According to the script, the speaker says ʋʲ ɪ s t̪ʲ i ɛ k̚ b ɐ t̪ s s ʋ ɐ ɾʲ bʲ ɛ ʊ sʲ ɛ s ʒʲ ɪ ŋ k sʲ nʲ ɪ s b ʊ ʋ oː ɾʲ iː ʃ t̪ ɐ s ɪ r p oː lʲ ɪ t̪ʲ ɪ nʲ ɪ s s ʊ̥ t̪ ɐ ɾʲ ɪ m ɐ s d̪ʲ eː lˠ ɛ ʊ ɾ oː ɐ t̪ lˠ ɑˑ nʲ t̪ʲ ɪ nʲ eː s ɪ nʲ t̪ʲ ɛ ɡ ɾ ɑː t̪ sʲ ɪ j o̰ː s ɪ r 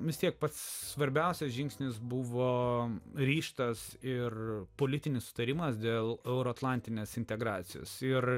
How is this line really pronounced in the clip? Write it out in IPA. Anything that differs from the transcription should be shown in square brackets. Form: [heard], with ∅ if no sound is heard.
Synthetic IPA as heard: ʋʲ ɪ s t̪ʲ i ɛ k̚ [p] ɐ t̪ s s ʋ ɐ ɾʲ bʲ ɛ ʊ sʲ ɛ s ʒʲ ɪ ŋ k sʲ nʲ ɪ s b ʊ ʋ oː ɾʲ iː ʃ t̪ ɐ s ɪ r p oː lʲ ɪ t̪ʲ ɪ nʲ ɪ s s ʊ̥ t̪ ɐ ɾʲ ɪ m ɐ s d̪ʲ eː lˠ ɛ ʊ ɾ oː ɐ t̪ lˠ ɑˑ nʲ t̪ʲ ɪ nʲ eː s ɪ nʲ t̪ʲ ɛ ɡ ɾ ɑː t̪ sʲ ɪ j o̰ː s ɪ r